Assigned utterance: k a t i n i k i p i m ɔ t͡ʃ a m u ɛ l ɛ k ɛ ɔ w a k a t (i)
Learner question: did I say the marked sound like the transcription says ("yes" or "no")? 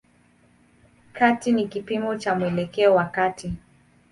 yes